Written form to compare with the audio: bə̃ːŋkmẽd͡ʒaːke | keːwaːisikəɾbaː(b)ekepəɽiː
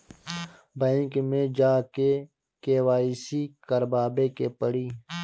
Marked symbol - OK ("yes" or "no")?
yes